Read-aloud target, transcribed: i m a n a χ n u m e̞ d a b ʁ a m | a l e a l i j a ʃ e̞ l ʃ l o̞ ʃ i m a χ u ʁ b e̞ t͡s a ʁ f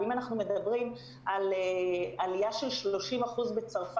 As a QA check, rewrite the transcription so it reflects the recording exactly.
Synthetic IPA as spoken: i m a n a χ n u m e̞ d a b ʁ i m | a l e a l i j a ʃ e̞ l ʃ l o̞ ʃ i m a χ u z b e̞ t͡s a ʁ f